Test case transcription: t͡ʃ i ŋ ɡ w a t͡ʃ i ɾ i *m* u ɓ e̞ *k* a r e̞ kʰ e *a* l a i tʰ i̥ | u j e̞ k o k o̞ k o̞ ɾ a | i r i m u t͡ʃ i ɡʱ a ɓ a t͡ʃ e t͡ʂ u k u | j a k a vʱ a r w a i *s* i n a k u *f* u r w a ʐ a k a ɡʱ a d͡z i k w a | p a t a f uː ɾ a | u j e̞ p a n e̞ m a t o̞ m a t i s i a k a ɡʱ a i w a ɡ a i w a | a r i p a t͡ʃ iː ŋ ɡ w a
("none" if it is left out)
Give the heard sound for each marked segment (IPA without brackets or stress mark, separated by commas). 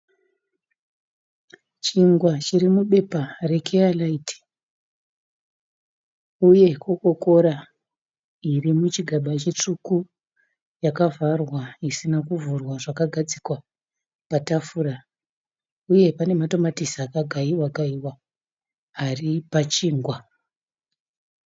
m, p, a, s, v